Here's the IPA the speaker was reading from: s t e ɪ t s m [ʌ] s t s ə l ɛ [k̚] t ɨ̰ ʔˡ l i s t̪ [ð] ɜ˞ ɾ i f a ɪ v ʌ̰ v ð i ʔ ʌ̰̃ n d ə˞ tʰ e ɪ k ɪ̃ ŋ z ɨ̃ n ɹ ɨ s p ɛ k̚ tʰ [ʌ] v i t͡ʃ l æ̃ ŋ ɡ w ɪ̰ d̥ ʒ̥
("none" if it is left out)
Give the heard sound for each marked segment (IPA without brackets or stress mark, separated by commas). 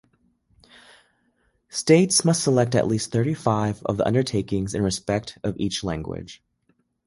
ʌ, k̚, θ, ʌ